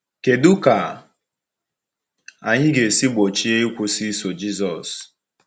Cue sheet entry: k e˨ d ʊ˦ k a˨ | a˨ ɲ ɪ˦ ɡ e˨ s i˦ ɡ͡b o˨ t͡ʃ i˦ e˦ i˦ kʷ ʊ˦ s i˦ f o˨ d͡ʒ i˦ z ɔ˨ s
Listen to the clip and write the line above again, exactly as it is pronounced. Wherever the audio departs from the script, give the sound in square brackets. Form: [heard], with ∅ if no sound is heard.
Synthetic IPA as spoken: k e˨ d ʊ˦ k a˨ | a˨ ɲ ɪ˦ ɡ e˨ s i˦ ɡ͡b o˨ t͡ʃ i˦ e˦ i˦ kʷ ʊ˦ s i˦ [s] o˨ d͡ʒ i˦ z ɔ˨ s